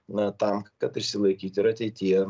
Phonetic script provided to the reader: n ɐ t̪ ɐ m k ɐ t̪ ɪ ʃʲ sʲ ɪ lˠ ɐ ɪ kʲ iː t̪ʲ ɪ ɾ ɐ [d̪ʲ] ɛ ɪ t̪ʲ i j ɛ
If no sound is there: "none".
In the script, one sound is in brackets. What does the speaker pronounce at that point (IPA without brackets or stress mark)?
t̪ʲ